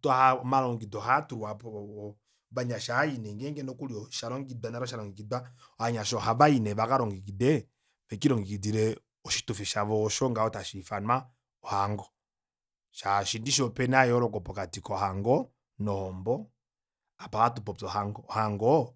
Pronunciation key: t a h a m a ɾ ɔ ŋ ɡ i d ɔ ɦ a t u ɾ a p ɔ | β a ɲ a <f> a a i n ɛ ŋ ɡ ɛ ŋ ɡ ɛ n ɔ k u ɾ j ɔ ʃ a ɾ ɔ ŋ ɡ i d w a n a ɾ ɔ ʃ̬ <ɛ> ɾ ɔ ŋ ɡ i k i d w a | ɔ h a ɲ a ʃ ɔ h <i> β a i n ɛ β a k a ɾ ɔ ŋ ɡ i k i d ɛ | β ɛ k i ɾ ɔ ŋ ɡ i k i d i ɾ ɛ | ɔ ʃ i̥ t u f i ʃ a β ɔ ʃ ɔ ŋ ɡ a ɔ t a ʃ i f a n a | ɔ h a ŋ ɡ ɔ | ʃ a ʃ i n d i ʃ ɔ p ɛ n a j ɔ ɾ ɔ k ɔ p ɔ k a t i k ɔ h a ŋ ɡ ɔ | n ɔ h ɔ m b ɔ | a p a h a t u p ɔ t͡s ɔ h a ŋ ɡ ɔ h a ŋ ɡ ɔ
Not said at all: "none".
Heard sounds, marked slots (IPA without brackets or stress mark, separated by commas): ʃ, a, a